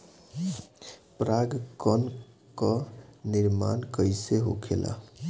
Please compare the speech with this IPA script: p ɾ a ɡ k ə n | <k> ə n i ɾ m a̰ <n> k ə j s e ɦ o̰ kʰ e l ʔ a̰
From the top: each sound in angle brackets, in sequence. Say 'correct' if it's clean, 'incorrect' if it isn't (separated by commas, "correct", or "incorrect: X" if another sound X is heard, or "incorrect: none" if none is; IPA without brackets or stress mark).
correct, correct